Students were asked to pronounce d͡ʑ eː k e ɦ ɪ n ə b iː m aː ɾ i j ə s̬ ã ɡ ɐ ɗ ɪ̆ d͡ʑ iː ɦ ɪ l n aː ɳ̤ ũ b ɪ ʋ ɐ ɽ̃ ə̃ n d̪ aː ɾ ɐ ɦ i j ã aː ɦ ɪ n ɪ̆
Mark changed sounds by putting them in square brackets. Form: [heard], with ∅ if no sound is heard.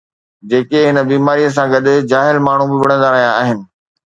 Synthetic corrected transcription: d͡ʑ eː k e ɦ ɪ n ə b iː m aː ɾ i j ə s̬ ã ɡ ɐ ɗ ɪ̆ d͡ʑ [aː] ɦ ɪ l [m] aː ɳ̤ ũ b ɪ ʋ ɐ ɽ̃ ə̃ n d̪ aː ɾ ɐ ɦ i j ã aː ɦ ɪ n ɪ̆